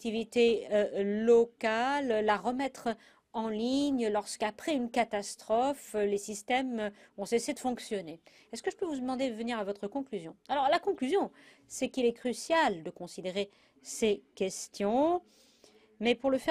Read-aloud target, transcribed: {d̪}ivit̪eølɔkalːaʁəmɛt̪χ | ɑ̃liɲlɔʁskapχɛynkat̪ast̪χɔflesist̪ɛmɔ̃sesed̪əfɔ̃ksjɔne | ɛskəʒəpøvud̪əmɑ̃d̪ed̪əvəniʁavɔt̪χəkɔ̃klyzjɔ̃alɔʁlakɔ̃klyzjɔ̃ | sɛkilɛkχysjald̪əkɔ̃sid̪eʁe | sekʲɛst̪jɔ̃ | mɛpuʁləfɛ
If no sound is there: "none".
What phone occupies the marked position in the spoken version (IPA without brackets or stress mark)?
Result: t̪